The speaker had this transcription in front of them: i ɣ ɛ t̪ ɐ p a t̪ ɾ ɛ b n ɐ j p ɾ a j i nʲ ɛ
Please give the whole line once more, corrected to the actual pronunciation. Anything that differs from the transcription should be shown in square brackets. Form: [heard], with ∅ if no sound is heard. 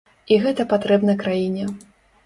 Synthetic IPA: i ɣ ɛ t̪ ɐ p a t̪ ɾ ɛ b n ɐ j [k] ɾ a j i nʲ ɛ